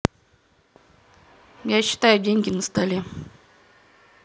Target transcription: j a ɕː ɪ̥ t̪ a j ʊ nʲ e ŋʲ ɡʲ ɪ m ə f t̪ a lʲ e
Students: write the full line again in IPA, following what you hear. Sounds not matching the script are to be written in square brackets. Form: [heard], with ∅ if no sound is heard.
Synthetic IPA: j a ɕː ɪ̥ t̪ a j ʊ [dʲ] e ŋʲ ɡʲ ɪ [n] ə [s] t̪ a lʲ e

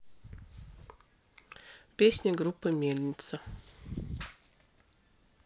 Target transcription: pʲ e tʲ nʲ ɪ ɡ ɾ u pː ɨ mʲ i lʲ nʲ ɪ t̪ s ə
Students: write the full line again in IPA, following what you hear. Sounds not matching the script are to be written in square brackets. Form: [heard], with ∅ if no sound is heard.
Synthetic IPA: pʲ e [sʲ] nʲ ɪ ɡ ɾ u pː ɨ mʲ [e] lʲ nʲ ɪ t̪ s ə

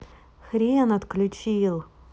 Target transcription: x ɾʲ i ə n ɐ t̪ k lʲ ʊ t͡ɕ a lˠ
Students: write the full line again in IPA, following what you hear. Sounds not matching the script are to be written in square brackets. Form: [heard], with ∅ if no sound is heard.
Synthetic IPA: x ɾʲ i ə n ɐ t̪ k lʲ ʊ t͡ɕ [i] lˠ

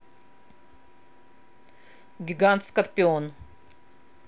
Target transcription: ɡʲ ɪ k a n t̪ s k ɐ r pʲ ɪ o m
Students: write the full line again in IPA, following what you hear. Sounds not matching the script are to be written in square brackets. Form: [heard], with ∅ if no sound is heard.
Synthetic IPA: ɡʲ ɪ [ɡ] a n t̪ s k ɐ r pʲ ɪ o [n]

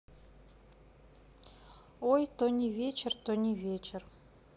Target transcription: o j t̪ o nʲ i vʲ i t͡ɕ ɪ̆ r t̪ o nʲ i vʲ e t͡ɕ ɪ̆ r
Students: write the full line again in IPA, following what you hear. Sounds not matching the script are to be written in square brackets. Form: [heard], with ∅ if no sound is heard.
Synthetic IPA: o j t̪ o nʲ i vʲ [e] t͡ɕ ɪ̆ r t̪ o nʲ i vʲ e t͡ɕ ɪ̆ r

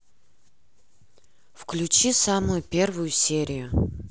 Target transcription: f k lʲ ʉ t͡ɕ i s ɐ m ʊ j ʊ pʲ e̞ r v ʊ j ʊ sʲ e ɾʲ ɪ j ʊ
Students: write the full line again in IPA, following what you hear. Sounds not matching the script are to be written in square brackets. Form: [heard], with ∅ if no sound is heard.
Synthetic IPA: f k lʲ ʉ t͡ɕ i s [a] m ʊ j ʊ pʲ e̞ r v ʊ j ʊ sʲ e ɾʲ ɪ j ʊ

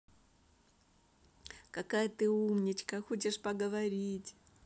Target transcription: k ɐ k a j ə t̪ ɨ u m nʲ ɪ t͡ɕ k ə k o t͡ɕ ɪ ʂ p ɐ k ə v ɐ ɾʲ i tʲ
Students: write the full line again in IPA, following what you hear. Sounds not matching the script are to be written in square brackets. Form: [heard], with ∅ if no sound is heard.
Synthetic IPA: k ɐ k a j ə t̪ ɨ u m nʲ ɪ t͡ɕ k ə [x] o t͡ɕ ɪ ʂ p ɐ [ɡ] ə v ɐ ɾʲ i tʲ

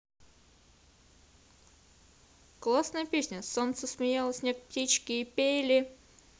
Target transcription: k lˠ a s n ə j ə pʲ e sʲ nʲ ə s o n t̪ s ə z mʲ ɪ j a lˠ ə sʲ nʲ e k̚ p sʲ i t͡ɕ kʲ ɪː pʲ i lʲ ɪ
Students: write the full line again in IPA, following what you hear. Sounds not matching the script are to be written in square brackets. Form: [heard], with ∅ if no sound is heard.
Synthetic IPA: k lˠ a s n ə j ə pʲ e sʲ nʲ ə s o n t̪ s ə [s] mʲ ɪ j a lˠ ə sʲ nʲ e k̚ p [tʲ] i t͡ɕ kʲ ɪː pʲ [e] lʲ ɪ

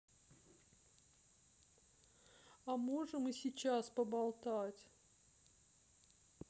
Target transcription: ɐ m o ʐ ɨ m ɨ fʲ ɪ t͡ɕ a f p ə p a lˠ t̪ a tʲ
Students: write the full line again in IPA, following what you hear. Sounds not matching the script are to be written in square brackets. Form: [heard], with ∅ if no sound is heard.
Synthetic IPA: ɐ m o ʐ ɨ m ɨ [sʲ] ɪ t͡ɕ a [s] p ə [b] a lˠ t̪ a tʲ

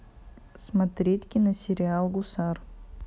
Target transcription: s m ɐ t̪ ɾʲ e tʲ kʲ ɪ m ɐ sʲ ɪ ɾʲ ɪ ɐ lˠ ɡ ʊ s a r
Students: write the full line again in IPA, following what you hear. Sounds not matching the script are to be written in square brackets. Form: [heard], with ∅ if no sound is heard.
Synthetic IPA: s m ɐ t̪ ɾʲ e tʲ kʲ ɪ [n] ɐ sʲ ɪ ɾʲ ɪ [a] lˠ ɡ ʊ s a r

